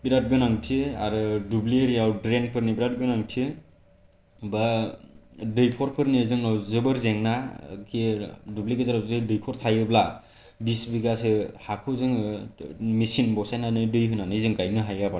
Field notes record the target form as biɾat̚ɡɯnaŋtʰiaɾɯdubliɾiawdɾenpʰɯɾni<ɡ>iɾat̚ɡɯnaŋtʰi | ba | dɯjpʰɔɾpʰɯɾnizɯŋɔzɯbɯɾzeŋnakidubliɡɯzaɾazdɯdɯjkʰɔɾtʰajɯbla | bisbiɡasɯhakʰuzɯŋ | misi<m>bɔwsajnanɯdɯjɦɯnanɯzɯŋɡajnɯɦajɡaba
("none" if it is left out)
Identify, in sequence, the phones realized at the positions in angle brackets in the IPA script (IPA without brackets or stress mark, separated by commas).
b, n